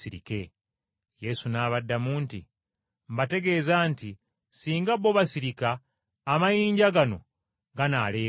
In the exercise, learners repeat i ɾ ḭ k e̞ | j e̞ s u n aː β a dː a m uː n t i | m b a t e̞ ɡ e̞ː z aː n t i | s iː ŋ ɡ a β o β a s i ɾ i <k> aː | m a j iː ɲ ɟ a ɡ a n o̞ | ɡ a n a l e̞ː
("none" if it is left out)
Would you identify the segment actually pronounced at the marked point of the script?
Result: k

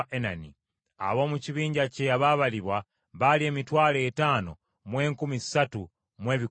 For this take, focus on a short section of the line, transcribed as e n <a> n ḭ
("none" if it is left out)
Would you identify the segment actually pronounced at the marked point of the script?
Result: a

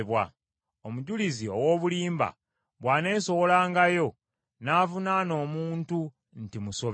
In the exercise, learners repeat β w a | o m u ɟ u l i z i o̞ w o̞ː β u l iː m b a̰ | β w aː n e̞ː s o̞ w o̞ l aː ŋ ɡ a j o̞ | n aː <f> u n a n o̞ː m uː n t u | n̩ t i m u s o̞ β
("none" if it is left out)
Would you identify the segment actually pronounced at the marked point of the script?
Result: v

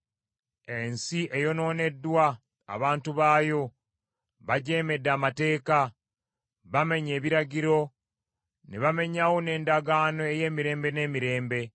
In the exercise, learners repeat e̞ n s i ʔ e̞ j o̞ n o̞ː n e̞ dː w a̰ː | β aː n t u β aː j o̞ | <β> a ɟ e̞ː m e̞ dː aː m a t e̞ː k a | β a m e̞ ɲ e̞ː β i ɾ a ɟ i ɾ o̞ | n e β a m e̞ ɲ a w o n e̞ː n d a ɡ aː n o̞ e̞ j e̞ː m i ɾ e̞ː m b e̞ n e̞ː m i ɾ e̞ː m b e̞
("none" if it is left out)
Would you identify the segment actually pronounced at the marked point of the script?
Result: β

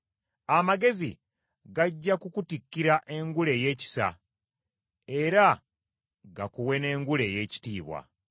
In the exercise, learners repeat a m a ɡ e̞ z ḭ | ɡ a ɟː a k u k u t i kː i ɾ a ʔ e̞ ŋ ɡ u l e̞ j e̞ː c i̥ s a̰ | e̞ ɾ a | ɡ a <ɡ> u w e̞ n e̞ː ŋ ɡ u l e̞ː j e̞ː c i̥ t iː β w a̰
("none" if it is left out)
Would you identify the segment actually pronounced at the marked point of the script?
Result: k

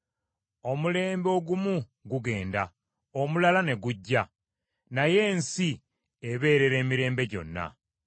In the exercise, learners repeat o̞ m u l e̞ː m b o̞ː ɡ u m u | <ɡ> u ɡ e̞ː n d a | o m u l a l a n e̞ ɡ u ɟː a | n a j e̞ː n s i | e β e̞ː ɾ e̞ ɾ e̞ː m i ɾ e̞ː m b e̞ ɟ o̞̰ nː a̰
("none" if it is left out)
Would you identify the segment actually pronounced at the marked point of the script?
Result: ɡ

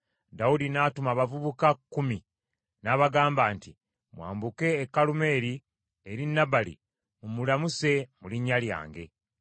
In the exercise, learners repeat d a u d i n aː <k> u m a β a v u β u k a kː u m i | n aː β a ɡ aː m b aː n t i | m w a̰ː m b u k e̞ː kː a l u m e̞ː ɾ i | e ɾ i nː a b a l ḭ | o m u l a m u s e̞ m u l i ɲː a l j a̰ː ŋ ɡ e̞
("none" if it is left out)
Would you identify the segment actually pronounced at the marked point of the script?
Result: t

